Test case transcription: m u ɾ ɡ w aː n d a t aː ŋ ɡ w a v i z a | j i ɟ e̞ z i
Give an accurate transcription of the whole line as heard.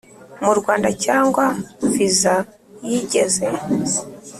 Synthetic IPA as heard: m u ɾ ɡ w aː n d a c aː ŋ ɡ w a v i z a | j i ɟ e̞ z e